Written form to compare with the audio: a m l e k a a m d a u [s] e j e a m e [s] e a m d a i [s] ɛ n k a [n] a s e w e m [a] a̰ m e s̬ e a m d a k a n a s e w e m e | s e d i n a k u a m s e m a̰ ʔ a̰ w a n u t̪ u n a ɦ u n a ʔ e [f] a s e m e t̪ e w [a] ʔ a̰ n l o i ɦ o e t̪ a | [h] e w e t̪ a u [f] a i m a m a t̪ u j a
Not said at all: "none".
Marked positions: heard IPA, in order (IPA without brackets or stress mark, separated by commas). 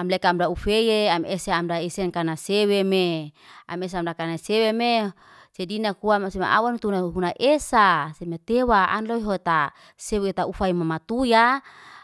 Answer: f, s, s, n, e, s, a, s, f